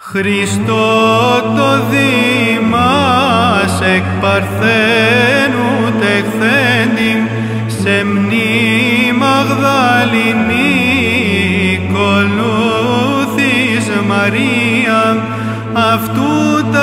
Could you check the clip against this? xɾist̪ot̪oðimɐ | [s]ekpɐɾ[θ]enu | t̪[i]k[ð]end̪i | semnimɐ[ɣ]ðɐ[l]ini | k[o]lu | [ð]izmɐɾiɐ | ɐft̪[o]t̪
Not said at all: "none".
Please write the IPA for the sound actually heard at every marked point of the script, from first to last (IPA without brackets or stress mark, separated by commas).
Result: s, θ, e, θ, ɣ, l, o, θ, u